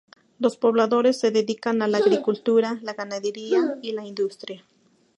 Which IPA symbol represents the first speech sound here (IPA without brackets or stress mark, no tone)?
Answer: l